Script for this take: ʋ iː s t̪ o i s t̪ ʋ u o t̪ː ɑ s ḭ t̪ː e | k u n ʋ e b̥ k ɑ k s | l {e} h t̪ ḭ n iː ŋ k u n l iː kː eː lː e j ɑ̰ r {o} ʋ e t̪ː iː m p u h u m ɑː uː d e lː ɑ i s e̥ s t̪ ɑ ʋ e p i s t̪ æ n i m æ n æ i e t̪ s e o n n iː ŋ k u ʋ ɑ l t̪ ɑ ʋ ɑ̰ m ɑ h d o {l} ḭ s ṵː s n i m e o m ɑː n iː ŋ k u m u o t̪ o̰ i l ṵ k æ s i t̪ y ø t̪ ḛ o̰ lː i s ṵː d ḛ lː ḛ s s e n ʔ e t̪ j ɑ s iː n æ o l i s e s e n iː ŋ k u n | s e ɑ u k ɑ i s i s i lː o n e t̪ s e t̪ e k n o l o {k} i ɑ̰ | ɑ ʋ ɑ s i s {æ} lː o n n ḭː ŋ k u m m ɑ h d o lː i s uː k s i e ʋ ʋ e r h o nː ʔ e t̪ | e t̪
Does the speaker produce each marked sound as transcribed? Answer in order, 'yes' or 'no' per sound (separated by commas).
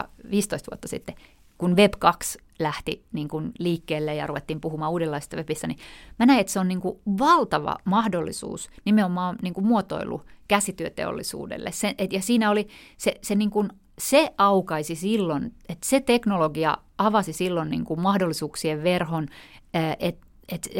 no, no, no, no, no